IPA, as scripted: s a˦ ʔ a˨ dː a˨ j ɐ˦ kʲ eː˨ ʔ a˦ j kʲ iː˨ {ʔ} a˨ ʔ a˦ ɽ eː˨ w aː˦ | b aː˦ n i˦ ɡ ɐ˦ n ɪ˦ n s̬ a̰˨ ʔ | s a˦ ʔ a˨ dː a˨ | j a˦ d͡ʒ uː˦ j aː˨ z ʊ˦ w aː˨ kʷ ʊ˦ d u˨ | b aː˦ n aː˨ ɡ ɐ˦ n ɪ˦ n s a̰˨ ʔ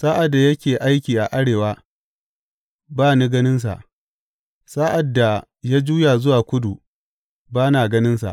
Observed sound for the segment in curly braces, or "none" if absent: ʔ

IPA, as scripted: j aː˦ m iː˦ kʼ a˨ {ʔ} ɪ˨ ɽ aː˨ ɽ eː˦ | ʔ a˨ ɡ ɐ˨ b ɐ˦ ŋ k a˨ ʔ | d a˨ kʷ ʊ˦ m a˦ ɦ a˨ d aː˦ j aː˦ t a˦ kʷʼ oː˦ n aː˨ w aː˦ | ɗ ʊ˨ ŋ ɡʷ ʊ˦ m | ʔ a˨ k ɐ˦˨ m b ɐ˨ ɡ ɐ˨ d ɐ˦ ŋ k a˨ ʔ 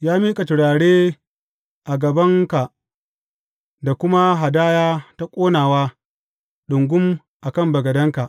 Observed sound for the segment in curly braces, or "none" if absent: t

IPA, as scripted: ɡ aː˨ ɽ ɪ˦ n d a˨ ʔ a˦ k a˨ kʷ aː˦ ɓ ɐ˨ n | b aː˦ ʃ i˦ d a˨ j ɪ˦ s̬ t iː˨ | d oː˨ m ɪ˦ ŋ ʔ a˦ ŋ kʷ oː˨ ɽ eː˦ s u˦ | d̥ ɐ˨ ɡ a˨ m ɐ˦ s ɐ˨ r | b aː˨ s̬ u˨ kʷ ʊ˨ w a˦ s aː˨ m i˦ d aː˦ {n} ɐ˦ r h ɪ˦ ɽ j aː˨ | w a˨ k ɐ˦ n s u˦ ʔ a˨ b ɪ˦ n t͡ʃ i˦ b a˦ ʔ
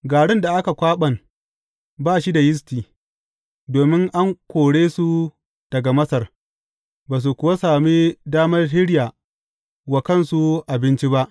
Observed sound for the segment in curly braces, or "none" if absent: m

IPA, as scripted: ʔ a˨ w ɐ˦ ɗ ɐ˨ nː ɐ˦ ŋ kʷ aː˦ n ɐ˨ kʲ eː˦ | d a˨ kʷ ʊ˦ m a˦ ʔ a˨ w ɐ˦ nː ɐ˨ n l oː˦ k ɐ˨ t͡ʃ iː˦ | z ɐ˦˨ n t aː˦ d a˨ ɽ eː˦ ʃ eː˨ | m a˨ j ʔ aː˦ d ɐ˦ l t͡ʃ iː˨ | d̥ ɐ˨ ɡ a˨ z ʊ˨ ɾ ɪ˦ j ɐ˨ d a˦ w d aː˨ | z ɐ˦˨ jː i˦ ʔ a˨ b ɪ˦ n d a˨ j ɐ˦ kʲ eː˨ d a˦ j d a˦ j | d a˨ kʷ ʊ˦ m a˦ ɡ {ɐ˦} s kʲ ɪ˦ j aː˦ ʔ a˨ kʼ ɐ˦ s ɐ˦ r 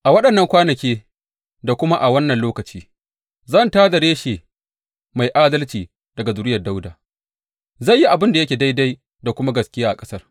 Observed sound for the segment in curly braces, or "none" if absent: ɐ˨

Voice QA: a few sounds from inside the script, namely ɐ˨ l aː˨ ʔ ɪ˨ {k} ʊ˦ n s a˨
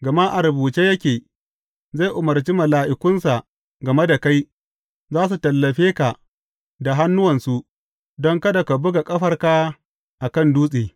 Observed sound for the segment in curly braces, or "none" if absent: k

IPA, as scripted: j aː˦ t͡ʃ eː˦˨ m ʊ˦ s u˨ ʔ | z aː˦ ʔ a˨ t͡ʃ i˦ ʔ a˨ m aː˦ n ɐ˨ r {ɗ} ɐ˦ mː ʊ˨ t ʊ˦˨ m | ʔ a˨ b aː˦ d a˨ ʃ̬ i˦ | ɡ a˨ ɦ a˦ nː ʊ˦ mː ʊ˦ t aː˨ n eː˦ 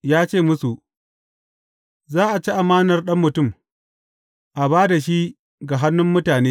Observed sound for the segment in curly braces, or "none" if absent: ɗ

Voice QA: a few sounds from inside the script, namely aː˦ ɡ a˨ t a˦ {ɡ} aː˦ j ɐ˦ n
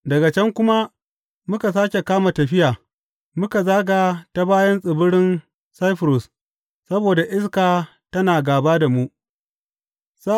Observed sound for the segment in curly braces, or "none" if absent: b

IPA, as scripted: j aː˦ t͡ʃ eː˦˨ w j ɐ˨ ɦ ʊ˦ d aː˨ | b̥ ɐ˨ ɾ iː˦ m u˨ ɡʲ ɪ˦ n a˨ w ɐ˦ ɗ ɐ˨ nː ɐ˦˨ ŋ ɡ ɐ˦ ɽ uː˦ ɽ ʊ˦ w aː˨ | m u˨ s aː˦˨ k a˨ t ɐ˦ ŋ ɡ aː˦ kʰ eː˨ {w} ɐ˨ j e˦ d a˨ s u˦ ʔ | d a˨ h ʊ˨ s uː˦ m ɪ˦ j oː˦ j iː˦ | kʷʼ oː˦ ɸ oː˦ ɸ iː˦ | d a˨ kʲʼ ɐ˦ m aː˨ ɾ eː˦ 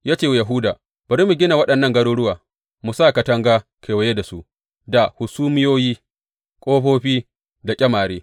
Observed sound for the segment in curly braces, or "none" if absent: w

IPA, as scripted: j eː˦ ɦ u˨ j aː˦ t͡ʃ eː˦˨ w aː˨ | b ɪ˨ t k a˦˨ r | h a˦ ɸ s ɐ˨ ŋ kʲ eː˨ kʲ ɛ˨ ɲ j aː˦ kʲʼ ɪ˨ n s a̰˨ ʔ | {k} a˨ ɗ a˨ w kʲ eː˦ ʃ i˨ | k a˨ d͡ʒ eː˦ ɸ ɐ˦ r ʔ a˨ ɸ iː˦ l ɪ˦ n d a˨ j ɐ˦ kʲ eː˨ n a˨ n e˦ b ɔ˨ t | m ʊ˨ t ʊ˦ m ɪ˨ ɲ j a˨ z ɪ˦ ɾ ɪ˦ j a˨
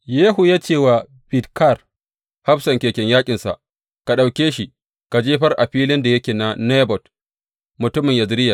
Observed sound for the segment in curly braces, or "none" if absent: k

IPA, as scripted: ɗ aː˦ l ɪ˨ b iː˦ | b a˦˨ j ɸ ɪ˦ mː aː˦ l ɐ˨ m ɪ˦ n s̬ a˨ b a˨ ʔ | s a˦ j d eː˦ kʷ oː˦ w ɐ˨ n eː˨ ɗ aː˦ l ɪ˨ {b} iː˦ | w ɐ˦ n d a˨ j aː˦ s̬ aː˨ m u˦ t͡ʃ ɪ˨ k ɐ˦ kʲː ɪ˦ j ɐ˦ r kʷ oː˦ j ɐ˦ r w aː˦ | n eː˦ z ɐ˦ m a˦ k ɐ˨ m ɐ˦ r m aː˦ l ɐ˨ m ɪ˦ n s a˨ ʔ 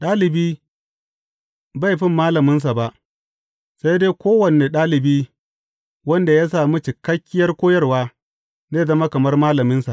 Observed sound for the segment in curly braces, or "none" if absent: b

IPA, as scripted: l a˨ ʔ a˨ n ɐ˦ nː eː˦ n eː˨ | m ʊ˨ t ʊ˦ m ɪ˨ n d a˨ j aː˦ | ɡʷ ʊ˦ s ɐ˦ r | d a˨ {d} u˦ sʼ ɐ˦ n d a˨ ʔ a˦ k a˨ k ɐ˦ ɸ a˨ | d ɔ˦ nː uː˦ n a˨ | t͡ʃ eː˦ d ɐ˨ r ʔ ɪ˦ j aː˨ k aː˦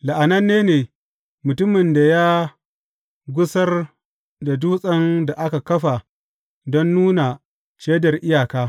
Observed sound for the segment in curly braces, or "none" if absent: d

